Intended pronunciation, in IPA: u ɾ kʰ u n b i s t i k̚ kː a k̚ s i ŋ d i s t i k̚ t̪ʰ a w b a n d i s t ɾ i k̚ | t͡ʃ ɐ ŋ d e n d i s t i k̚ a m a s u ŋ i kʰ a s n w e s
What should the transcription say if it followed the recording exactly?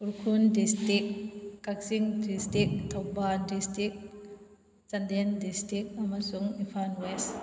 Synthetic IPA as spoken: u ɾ kʰ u n d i s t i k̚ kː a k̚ s i ŋ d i s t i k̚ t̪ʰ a w b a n d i s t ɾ i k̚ | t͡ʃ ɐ n d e n d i s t i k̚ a m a s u ŋ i pʰ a n w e s